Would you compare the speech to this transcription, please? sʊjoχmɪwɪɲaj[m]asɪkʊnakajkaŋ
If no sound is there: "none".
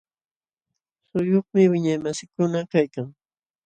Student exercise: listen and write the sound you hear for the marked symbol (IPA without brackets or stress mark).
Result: m